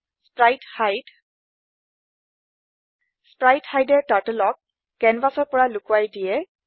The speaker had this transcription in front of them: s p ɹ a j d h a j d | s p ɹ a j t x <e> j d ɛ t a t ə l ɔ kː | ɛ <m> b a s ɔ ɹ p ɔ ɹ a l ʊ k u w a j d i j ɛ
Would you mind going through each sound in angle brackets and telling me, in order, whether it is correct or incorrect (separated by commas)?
incorrect, incorrect